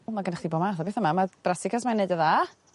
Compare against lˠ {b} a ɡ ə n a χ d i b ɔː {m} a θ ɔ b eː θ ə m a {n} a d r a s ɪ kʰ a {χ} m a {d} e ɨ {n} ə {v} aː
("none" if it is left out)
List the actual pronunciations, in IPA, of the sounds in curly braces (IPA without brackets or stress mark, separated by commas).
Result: m, m, m, s, n, d, ð